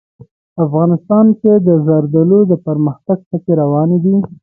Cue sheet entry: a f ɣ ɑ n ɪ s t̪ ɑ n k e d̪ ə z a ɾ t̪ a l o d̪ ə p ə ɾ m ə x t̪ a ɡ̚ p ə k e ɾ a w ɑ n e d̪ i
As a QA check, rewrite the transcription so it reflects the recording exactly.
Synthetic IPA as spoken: a f ɣ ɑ n ɪ s t̪ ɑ n k e d̪ ə z a ɾ d̪ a l o d̪ ə p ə ɾ m ə x t̪ a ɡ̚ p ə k e ɾ a w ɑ n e d̪ i